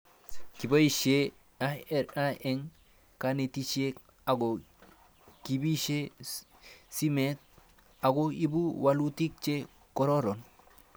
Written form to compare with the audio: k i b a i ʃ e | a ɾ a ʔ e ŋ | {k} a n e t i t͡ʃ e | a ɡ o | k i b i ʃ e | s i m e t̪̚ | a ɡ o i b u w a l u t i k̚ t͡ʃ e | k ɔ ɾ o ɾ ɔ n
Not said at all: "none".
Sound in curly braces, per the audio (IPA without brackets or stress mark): k